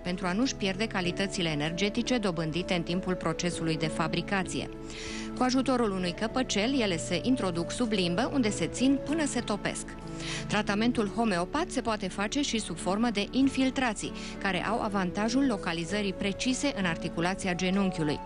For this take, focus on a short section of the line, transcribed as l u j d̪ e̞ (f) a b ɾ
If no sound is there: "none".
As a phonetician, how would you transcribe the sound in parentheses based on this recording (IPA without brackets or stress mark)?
f